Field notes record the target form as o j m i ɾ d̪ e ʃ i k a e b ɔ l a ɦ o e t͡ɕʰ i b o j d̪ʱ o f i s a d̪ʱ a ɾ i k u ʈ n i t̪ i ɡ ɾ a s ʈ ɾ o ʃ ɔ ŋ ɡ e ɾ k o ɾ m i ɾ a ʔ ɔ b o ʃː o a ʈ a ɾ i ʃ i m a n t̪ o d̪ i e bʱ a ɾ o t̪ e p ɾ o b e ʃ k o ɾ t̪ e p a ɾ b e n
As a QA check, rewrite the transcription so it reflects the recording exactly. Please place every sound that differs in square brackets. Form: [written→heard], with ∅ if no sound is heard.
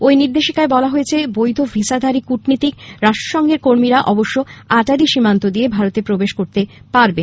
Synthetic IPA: o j [m→n] i ɾ d̪ e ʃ i k a e b ɔ l a ɦ o e t͡ɕʰ [i→e] b o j d̪ʱ o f i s a d̪ʱ a ɾ i k u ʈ n i t̪ i [ɡ→k] ɾ a [s→ʃ] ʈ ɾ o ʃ ɔ ŋ ɡ e ɾ k o ɾ m i ɾ a ʔ ɔ b o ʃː o a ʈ a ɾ i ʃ i m a n t̪ o d̪ i e bʱ a ɾ o t̪ e p ɾ o b e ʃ k o ɾ t̪ e p a ɾ b e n

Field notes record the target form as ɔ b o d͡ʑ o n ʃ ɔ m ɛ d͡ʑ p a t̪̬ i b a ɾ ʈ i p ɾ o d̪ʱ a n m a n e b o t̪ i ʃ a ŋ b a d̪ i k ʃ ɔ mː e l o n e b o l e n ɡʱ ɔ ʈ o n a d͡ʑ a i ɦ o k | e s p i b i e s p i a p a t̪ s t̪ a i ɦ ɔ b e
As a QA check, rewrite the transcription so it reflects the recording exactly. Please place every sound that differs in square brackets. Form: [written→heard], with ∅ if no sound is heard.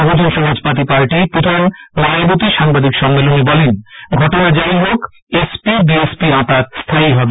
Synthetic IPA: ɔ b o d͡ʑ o n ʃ ɔ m [ɛ→a] d͡ʑ p a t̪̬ i [b→p] a ɾ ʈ i p ɾ o d̪ʱ a n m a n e b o t̪ i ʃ a ŋ b a d̪ i k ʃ ɔ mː e l o n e b [o→ɔ] l e n ɡʱ ɔ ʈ o n a d͡ʑ a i ɦ o k | e s p i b i e s p i a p a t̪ s [t̪→t̪ʰ] a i ɦ ɔ b e

